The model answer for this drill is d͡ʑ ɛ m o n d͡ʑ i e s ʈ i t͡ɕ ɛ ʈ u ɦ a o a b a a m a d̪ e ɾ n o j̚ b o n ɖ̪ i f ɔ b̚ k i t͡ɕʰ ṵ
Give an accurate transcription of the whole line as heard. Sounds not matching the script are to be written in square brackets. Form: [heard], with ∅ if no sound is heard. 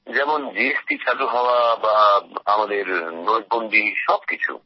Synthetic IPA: d͡ʑ ɛ m o n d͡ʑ i e s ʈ i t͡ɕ [a] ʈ u ɦ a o a b a a m a d̪ e ɾ n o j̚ b o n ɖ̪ i [ʃ] ɔ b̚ k i t͡ɕʰ ṵ